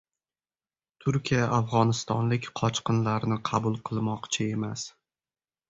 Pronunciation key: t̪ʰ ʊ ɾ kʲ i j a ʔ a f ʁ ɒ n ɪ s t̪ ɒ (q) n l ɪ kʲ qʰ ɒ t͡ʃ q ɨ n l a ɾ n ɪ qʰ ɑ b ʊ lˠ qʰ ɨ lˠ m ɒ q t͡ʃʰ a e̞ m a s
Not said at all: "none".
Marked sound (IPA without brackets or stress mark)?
none